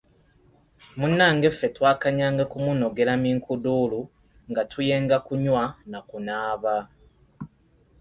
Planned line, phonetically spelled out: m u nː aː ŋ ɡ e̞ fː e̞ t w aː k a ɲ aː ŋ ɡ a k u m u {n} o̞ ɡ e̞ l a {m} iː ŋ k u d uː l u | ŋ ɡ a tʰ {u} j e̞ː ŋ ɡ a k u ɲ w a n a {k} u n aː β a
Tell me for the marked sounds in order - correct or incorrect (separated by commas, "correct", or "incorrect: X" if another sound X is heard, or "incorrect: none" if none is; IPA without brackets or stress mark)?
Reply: correct, correct, correct, correct